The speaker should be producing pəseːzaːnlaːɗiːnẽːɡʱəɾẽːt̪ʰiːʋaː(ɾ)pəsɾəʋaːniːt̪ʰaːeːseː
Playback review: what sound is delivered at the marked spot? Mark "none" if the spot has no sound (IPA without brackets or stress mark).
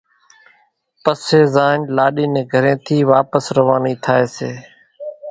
none